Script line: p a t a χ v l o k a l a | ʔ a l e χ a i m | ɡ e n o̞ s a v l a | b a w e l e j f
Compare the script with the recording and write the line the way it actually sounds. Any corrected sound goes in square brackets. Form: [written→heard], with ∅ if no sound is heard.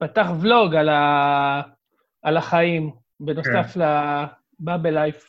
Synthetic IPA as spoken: p a t a χ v l o [k→ɡ] a l a | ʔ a l [e→a] χ a i m | [ɡ→b] e n o̞ s a [v→f] l a | b a [w→b] e l [e→a] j f